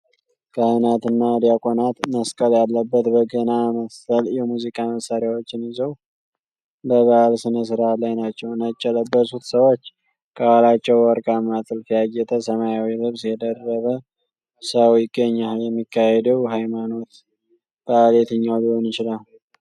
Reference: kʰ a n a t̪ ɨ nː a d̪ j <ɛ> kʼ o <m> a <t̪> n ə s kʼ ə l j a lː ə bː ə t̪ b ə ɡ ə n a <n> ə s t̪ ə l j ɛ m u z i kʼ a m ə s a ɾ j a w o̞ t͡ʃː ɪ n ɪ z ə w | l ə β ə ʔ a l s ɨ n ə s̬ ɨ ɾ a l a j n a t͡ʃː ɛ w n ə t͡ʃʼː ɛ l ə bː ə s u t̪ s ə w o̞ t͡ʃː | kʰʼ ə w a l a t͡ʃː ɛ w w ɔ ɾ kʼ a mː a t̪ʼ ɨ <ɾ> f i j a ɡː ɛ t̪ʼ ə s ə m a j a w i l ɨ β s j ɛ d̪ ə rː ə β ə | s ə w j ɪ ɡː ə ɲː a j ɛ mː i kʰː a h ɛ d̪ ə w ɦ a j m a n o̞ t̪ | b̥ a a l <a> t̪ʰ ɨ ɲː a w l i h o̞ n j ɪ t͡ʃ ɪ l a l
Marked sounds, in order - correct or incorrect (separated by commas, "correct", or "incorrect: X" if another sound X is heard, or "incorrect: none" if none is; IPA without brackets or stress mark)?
incorrect: a, incorrect: n, correct, incorrect: m, incorrect: l, incorrect: e